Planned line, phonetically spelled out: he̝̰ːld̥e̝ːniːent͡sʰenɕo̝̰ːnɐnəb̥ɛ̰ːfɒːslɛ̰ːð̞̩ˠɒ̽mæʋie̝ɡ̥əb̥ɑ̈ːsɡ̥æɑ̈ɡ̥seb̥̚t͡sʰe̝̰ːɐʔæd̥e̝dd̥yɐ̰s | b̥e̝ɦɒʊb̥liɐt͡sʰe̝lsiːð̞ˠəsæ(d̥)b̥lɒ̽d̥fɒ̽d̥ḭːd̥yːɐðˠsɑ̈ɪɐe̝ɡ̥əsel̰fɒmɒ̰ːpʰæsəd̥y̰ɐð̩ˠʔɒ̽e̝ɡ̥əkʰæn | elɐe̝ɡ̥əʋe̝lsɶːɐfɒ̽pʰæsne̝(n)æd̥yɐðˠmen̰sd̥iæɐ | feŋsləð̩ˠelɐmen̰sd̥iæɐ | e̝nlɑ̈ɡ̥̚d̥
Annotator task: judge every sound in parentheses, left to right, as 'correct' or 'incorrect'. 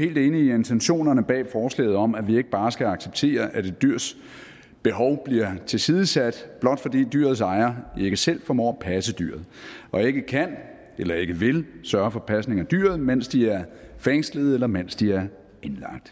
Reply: correct, incorrect: ŋ

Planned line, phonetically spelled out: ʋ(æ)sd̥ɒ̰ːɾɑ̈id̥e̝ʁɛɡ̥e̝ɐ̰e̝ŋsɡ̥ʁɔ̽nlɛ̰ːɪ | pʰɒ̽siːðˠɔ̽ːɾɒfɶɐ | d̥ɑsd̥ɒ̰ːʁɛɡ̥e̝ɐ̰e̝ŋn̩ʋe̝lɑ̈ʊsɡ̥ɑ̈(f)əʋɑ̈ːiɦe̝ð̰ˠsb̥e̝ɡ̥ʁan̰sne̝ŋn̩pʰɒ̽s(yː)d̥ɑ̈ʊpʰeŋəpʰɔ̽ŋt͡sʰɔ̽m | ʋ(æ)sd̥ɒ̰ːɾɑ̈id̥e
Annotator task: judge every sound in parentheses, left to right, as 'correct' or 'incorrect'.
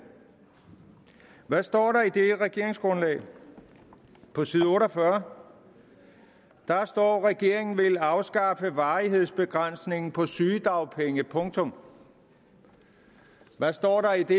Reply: correct, correct, correct, correct

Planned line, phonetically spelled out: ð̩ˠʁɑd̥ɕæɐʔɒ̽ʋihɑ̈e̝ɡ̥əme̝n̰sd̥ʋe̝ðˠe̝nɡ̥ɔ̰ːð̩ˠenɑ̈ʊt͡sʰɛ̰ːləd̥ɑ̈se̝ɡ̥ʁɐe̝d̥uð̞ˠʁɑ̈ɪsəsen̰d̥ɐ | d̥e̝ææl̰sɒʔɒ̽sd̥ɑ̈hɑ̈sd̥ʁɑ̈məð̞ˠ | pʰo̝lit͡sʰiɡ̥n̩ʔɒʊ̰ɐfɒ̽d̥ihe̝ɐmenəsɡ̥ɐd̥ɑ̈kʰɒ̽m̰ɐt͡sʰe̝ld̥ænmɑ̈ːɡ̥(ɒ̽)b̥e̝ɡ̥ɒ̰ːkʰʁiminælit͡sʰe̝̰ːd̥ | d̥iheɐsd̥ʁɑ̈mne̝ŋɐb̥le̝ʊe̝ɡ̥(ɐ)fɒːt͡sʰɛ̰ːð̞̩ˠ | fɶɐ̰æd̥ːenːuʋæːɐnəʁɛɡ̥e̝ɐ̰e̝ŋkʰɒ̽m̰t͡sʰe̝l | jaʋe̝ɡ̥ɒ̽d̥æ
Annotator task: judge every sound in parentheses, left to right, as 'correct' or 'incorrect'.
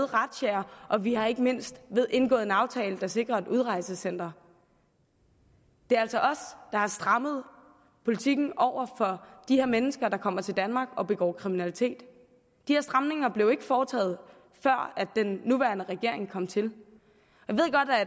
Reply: correct, incorrect: ə

